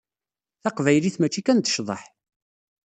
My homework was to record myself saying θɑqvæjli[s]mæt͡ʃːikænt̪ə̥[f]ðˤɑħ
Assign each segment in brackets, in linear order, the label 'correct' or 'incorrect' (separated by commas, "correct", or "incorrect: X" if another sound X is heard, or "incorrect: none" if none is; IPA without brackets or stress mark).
incorrect: θ, incorrect: ʃ